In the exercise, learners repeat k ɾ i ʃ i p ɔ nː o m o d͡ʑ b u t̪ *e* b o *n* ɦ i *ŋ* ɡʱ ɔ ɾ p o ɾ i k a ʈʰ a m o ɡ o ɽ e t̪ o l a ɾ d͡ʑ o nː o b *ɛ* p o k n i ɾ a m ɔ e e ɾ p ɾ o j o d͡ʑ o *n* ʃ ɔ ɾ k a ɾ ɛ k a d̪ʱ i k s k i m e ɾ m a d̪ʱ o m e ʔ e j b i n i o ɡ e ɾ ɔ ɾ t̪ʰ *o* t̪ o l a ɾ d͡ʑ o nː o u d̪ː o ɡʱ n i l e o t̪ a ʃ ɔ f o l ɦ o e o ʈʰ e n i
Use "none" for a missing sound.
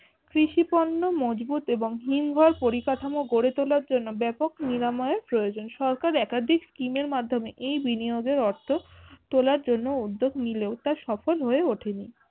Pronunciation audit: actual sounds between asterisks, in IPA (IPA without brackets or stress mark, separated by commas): e, ŋ, m, ɛ, n, o